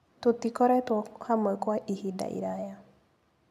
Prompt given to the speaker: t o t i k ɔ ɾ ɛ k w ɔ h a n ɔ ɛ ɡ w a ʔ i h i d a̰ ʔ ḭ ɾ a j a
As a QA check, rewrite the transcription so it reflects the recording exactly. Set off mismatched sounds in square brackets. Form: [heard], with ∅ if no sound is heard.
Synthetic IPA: t o t i k ɔ ɾ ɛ [t] w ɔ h a [m] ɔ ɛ [k] w a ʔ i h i d a̰ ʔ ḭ ɾ a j a